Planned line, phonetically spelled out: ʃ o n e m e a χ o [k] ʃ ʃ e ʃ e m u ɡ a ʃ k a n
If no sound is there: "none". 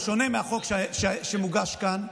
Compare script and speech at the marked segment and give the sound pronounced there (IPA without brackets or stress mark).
k